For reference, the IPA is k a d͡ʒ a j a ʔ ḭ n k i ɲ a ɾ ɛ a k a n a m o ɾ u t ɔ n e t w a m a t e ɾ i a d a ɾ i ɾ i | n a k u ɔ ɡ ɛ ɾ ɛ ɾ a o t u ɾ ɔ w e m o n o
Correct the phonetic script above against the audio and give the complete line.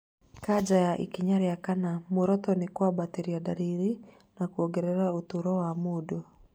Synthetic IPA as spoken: k a d͡ʒ a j a ʔ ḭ k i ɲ a ɾ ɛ a k a n a m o ɾ ɔ t ɔ n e k w a b a t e ɾ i a d a ɾ i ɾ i | n a k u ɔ ɡ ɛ ɾ ɛ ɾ a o t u ɾ ɔ w a m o d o